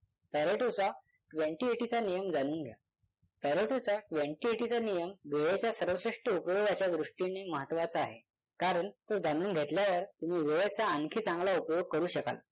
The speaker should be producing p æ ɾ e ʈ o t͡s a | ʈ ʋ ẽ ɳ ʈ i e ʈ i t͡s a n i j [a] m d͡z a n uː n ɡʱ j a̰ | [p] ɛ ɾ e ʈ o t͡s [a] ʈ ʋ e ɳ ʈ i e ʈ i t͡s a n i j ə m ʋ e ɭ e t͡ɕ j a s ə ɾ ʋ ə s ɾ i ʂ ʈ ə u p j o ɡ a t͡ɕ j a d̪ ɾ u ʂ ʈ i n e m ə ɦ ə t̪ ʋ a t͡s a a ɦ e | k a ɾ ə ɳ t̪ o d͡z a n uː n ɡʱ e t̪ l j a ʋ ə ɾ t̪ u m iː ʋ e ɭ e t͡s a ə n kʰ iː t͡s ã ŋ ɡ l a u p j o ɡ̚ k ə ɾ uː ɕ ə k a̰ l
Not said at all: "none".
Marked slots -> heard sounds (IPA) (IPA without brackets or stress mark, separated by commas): ə, p, a